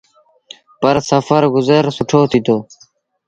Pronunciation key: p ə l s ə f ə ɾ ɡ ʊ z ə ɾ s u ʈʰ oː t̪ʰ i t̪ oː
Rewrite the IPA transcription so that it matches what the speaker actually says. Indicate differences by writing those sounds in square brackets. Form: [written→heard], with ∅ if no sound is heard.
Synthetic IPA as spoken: p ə [l→ɾ] s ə f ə ɾ ɡ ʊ z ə ɾ s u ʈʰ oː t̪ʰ i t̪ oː